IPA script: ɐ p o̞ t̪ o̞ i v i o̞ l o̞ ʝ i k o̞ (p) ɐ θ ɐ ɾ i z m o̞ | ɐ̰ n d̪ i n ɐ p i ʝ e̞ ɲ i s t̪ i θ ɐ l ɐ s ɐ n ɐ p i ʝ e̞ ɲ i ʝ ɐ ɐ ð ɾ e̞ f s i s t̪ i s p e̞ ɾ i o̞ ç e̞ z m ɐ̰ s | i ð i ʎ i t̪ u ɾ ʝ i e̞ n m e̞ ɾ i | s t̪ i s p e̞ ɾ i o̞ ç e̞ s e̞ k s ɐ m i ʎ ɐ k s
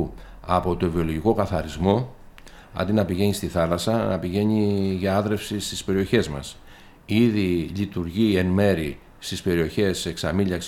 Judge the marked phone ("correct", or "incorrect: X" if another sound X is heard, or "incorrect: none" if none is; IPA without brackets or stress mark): incorrect: k